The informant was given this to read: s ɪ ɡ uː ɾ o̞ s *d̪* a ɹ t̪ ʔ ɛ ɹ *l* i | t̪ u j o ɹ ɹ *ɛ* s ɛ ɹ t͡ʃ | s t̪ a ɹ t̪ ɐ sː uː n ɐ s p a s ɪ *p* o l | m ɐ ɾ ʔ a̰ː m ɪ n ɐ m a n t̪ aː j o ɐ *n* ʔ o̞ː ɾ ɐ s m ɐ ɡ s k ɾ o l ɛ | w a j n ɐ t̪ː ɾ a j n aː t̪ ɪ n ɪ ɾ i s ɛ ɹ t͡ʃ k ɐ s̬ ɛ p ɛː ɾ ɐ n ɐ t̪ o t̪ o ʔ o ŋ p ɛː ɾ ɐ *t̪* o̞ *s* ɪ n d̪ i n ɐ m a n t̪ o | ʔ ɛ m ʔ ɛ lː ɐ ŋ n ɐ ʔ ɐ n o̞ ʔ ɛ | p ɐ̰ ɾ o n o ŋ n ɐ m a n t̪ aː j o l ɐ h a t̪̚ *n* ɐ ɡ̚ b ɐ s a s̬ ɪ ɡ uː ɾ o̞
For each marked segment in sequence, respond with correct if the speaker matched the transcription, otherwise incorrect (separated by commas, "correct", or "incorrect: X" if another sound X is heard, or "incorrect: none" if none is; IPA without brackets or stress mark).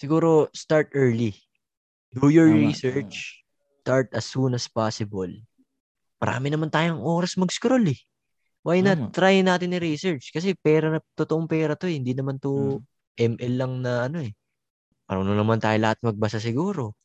incorrect: t̪, correct, incorrect: i, incorrect: b, incorrect: ŋ, correct, incorrect: h, incorrect: m